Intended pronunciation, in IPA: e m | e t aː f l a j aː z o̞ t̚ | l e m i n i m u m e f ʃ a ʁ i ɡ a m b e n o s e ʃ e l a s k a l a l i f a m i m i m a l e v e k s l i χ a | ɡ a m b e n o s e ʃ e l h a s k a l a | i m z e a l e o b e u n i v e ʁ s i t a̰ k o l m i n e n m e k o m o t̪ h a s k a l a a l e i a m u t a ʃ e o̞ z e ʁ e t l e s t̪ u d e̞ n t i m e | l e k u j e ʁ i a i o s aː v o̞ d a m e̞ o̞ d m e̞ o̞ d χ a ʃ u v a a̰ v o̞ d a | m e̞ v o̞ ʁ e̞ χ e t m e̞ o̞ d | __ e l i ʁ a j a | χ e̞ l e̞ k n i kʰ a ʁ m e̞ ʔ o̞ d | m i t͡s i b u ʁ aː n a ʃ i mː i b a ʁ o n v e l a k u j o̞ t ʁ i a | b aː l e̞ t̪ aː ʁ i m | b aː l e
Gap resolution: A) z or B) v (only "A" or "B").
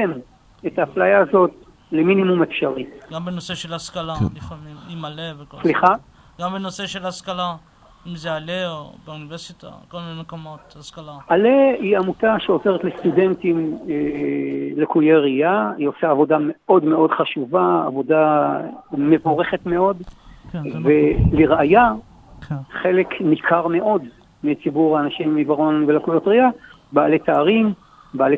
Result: B